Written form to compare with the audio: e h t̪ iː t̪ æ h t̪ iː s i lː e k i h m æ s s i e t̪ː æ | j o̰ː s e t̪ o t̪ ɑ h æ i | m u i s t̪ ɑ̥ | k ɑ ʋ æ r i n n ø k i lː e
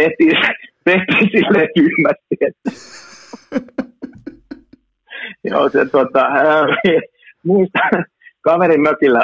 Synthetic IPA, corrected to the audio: e h t̪ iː t̪ e h t̪ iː s i lː e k y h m æ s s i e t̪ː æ | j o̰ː s e t̪ o t̪ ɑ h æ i | m u i s t̪ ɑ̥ | k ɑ ʋ e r i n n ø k i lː æ